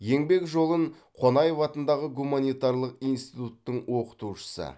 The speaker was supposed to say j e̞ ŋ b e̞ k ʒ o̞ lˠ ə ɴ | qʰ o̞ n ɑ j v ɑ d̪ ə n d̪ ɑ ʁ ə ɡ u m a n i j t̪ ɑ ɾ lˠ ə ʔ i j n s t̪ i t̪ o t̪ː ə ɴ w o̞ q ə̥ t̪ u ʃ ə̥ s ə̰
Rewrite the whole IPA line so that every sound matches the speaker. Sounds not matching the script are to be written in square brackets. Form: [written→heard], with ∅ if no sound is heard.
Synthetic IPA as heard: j e̞ ŋ b e̞ k ʒ o̞ lˠ ə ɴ | qʰ o̞ n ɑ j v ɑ [d̪→t̪] ə n d̪ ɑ ʁ ə ɡ u m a n i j t̪ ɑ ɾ lˠ ə [ʔ→q] i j n s t̪ i t̪ [o→u] t̪ː ə ɴ w o̞ q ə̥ t̪ u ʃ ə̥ s ə̰